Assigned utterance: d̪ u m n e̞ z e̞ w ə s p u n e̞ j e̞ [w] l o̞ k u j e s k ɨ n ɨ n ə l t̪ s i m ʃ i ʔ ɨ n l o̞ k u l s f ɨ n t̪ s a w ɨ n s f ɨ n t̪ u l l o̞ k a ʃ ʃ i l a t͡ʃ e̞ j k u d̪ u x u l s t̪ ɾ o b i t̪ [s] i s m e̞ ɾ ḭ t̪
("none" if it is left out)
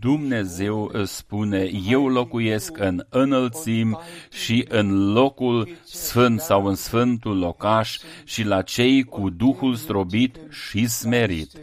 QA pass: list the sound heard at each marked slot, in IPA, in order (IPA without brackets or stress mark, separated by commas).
w, ʃ